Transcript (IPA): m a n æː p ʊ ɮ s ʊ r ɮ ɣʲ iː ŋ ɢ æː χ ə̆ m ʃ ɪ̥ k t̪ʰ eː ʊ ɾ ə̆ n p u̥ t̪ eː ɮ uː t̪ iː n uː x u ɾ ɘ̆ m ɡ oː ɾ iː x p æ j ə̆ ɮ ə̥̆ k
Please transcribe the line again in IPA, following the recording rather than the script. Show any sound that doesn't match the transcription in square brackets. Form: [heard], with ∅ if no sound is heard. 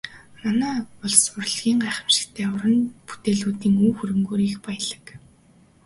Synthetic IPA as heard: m a n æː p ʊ ɮ s ʊ r ɮ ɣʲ iː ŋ ɢ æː χ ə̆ m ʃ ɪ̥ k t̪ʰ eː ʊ ɾ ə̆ n p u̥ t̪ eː ɮ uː t̪ iː [ŋ] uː x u ɾ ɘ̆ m ɡ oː ɾ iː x p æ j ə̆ ɮ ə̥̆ k